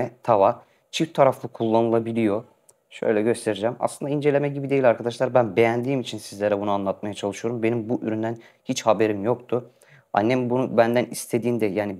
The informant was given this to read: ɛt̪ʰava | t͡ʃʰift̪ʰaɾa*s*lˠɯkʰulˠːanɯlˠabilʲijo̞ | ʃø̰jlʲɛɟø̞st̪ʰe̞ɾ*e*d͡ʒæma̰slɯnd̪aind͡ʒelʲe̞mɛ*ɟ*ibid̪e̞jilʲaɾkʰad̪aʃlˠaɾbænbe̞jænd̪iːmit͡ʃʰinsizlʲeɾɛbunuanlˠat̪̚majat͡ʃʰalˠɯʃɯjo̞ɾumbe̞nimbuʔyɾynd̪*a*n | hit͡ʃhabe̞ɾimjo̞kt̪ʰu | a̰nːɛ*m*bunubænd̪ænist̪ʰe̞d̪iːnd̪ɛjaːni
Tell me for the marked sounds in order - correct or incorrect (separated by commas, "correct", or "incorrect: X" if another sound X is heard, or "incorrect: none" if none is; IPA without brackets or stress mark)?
incorrect: f, incorrect: i, correct, incorrect: æ, correct